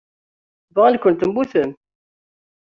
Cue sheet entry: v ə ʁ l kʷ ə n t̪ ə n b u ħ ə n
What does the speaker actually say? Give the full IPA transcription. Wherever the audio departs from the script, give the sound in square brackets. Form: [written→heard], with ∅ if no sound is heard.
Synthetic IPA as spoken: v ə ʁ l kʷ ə n t̪ ə [n→m] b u [ħ→θ] ə [n→m]